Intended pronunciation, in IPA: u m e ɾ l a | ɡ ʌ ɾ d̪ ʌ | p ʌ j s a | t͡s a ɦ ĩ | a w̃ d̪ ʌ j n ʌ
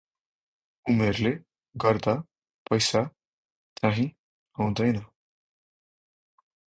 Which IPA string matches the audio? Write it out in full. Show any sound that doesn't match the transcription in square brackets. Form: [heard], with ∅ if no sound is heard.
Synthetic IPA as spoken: u m e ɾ l [e] | ɡ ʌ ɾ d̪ [a] | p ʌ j s a | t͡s a ɦ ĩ | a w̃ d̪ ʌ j n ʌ